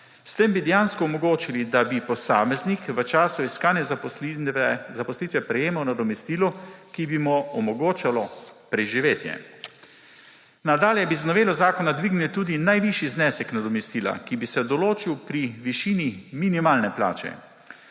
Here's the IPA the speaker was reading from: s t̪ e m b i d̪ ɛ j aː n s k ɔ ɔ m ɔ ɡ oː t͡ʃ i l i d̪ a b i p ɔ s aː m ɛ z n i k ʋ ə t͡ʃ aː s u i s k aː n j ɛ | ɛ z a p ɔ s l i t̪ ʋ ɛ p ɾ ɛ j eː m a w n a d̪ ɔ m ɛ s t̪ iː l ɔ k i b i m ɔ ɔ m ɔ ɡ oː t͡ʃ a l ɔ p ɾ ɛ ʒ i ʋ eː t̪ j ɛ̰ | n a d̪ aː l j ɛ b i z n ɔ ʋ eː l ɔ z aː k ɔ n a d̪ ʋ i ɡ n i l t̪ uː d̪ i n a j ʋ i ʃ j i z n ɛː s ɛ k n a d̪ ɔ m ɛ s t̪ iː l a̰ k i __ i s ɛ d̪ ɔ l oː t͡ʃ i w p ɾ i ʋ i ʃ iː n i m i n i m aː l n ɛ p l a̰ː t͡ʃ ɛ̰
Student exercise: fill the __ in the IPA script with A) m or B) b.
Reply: B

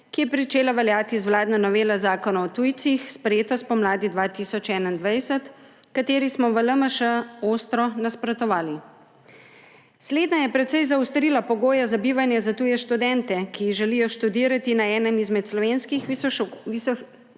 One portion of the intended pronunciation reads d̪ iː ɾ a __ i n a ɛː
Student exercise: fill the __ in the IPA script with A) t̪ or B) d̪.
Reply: A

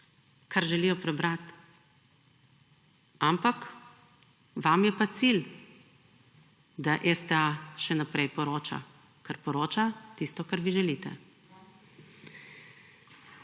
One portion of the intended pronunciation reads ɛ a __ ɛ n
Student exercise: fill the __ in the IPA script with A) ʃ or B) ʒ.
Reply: A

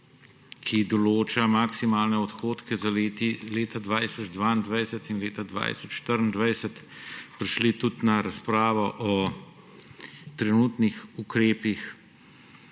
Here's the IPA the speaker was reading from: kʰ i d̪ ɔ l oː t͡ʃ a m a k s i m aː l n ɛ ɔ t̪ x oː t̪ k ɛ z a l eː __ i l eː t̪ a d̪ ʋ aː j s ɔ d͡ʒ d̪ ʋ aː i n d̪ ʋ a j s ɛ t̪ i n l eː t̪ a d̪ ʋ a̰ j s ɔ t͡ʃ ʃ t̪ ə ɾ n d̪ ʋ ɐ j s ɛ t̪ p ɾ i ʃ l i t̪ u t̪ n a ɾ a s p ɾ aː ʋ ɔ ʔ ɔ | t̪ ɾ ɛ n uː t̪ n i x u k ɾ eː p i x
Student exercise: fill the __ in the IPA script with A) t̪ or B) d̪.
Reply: A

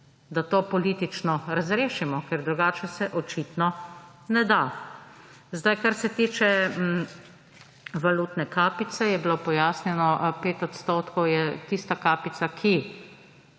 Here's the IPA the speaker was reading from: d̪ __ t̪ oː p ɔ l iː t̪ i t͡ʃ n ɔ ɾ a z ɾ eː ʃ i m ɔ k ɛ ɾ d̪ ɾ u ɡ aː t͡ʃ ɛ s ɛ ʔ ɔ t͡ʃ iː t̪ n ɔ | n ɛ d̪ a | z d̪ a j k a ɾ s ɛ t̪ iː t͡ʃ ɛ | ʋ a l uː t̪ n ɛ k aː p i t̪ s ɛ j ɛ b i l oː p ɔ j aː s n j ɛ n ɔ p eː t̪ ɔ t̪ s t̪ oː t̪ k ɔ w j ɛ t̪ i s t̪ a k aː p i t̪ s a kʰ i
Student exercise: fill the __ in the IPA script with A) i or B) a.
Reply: B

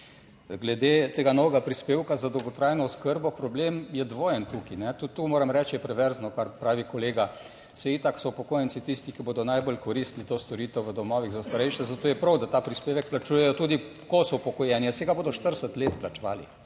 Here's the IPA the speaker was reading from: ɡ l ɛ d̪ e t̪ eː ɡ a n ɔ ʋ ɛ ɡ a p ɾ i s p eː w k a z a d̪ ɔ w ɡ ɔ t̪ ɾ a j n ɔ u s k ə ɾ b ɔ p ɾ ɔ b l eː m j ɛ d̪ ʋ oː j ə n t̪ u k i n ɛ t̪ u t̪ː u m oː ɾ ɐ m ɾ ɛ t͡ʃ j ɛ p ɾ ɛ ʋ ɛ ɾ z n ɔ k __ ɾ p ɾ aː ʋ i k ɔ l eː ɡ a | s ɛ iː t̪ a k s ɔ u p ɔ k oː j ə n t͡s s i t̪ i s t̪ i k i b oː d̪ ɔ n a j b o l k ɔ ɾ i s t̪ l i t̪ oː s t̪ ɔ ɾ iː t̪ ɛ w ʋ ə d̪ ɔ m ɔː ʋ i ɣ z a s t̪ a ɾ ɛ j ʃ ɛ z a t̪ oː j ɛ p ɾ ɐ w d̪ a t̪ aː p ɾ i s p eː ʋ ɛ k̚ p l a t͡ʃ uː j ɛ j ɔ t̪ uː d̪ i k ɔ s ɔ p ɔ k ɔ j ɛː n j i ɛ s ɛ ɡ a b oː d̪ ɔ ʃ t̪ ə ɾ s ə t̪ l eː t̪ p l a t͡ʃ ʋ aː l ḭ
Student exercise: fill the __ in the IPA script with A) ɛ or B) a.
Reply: B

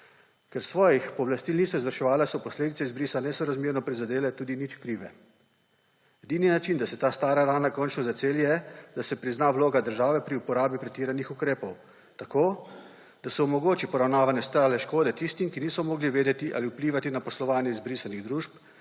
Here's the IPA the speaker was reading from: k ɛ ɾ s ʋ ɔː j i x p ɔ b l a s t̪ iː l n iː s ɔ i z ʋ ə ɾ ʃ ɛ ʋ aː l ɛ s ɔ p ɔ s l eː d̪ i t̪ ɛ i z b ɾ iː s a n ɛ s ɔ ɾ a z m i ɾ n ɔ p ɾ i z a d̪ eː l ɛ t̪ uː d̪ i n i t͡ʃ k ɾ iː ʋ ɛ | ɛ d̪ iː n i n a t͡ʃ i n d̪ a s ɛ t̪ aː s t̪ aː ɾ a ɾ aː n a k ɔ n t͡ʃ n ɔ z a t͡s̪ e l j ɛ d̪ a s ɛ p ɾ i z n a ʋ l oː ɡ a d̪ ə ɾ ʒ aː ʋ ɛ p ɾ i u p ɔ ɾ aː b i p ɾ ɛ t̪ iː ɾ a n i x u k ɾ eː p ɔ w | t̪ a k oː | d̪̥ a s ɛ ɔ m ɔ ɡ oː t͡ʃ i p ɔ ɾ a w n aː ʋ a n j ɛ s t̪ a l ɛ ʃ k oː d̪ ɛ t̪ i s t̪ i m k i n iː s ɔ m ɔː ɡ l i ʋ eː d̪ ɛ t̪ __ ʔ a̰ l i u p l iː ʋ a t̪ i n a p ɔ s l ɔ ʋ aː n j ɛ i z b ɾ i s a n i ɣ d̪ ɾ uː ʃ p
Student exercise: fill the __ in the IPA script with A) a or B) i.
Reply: B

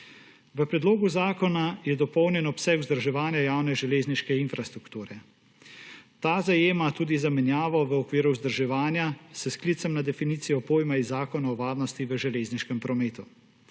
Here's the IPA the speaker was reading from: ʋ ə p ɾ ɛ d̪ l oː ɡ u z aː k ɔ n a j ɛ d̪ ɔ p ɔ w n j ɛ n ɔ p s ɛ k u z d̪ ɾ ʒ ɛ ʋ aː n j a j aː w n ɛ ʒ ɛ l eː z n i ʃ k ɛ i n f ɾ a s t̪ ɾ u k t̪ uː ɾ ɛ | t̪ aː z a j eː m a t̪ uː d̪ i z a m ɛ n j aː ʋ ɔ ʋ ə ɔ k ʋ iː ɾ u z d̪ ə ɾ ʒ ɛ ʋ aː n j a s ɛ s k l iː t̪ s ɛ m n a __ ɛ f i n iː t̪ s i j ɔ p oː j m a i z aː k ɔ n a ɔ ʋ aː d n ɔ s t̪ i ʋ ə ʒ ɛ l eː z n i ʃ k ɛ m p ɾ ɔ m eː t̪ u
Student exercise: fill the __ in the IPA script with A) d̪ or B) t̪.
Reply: A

